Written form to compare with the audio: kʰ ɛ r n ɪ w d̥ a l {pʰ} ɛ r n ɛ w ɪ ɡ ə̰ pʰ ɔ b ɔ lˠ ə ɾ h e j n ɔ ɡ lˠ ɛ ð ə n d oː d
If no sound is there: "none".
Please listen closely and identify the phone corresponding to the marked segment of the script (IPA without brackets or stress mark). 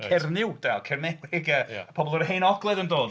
kʰ